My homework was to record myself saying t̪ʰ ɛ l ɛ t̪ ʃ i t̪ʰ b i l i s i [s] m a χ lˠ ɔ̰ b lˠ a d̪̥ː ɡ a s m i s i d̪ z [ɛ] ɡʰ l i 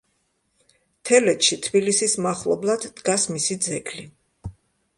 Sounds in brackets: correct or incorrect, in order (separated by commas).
correct, correct